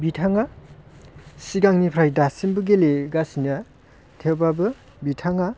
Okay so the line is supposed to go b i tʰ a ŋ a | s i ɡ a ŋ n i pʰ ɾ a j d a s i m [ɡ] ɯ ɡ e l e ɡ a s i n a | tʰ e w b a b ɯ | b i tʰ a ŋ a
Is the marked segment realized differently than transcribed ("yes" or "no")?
yes